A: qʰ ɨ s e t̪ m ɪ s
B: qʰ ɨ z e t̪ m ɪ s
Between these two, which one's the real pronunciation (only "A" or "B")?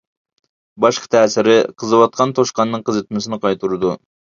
B